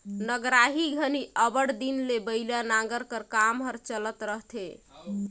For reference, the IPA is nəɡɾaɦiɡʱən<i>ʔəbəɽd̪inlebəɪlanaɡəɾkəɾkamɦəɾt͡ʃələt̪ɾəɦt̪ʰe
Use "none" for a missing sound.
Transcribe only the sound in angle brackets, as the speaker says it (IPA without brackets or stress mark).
i